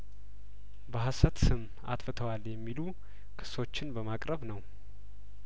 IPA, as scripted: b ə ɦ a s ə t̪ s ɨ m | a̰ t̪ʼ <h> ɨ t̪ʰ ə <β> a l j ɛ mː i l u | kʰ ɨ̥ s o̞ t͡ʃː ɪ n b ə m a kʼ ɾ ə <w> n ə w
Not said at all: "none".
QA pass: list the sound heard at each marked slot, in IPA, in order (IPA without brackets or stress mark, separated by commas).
f, w, β